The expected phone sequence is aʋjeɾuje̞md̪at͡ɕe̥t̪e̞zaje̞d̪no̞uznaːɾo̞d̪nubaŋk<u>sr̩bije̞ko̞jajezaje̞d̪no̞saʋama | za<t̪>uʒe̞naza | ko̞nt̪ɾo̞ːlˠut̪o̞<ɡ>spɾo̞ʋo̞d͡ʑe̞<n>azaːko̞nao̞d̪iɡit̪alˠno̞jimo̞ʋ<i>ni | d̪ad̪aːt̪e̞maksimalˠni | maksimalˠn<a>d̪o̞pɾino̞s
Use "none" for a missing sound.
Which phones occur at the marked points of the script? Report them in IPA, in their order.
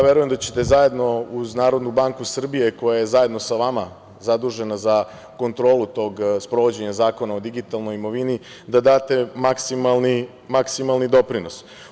u, d̪, ɡ, ɲ, i, i

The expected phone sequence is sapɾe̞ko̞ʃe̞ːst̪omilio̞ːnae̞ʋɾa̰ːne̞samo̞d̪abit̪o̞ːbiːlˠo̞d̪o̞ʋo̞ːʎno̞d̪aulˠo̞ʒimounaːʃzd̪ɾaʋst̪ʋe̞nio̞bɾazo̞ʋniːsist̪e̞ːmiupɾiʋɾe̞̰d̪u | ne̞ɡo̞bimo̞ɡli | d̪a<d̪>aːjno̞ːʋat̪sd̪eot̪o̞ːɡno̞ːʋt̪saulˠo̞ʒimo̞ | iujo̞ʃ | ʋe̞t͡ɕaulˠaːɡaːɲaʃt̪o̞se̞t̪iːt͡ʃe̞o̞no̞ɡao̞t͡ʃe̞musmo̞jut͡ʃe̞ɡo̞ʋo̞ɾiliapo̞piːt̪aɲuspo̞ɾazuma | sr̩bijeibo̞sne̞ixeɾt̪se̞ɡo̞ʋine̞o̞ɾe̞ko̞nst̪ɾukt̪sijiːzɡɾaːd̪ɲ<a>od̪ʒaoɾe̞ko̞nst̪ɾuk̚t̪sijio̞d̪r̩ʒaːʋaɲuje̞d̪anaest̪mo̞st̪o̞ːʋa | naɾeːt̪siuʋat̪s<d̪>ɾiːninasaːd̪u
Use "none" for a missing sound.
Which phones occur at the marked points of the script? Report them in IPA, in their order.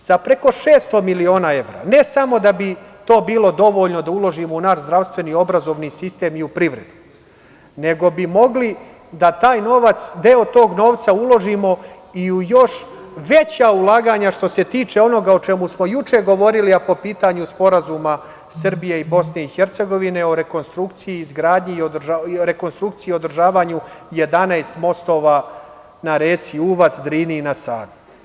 t̪, i, d̪

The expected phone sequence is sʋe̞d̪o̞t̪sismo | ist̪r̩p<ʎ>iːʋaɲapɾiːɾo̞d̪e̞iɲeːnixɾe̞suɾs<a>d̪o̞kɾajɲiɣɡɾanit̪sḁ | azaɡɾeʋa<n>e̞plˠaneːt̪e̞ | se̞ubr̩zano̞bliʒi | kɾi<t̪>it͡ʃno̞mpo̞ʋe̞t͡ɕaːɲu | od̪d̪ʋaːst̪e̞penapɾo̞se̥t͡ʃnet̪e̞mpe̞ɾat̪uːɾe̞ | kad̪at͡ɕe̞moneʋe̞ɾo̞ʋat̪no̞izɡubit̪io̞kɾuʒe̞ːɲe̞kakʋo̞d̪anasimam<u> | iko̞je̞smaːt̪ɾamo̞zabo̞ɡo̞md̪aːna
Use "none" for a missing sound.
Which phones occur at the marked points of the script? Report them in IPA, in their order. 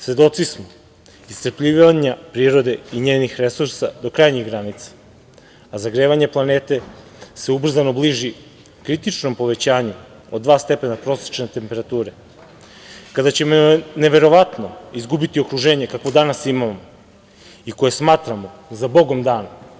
ʎ, a, ɲ, t̪, o

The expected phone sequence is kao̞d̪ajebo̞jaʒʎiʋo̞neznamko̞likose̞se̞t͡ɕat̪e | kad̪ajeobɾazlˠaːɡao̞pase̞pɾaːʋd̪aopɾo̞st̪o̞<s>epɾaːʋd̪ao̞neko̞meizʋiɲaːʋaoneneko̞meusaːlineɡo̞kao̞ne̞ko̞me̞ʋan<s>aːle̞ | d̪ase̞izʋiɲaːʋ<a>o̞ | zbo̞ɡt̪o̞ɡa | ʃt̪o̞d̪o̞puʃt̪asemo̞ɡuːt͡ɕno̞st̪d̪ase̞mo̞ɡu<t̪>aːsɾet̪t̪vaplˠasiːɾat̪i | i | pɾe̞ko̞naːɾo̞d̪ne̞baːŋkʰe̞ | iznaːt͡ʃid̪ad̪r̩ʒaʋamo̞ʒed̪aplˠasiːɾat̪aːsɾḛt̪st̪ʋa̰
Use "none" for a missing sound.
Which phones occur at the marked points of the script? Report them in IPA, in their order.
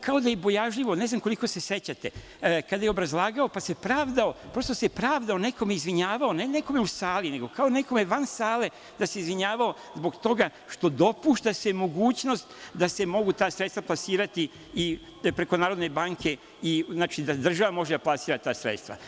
s, s, a, t̪

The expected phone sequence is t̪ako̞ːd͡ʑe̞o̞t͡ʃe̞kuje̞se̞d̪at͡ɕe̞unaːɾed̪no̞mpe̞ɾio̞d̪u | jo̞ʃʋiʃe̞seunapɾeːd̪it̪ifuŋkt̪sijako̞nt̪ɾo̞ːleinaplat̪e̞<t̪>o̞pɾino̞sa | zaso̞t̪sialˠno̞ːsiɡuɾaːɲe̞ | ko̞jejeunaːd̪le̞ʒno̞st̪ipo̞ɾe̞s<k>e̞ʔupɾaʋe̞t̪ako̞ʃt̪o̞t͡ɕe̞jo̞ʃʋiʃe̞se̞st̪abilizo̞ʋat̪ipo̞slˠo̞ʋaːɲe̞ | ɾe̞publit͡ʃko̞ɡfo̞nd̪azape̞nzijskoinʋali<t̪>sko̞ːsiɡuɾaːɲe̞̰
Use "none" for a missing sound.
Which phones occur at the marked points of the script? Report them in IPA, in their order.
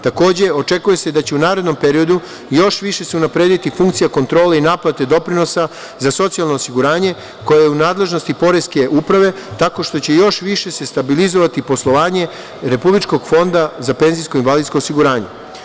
d̪, k, d̪

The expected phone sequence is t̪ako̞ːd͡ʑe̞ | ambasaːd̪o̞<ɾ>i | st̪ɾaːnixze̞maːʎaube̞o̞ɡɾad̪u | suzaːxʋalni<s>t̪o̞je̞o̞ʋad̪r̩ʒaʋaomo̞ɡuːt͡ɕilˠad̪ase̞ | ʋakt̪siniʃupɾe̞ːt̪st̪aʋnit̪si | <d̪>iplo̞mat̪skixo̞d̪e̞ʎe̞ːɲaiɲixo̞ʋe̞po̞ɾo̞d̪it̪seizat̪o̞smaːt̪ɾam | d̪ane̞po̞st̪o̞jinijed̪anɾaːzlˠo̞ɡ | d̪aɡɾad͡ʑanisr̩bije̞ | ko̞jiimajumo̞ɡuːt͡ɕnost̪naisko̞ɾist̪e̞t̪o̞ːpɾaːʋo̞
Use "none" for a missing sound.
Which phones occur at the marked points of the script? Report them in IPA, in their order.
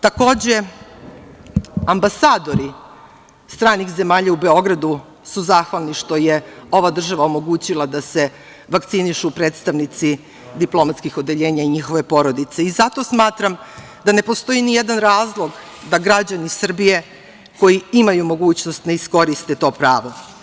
ɾ, ʃ, d̪

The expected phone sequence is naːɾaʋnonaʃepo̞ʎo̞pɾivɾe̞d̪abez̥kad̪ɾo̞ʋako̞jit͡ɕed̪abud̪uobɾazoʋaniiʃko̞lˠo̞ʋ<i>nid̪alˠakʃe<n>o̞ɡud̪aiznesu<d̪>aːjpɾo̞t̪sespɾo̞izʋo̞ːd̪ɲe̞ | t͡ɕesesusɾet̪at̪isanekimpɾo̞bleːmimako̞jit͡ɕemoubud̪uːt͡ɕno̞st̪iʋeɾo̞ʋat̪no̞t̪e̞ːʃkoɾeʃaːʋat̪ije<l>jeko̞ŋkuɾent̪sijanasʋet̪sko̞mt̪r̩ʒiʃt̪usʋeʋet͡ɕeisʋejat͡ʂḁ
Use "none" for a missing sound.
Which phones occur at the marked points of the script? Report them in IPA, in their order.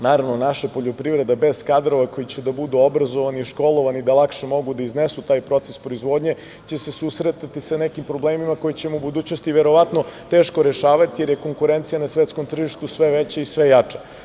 a, m, t̪, ɾ

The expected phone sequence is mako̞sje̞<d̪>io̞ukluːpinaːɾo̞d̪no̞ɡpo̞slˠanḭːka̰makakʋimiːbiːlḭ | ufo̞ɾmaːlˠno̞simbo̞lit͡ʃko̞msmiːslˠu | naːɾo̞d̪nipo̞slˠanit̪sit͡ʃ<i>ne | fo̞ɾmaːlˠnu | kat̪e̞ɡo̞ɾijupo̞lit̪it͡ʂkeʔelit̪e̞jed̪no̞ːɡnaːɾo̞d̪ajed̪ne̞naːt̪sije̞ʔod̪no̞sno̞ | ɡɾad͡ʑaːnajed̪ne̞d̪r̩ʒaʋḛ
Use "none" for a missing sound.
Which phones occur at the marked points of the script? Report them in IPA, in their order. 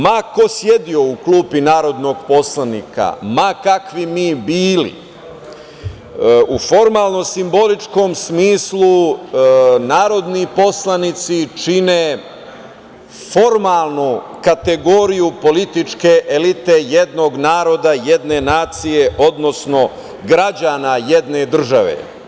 d̪, i

